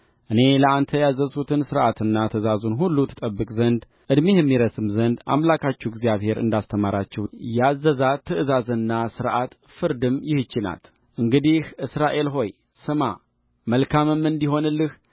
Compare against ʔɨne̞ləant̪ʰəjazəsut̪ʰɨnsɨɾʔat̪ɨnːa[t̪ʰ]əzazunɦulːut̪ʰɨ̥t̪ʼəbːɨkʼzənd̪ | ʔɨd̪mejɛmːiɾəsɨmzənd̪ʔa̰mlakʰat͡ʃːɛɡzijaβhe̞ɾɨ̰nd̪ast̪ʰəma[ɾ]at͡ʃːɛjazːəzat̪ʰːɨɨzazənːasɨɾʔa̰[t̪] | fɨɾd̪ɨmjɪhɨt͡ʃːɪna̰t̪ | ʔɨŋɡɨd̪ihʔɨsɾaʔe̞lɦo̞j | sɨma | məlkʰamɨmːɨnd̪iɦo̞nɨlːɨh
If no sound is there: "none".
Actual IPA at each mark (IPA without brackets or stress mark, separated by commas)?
t̪ʰ, ɾ, t̪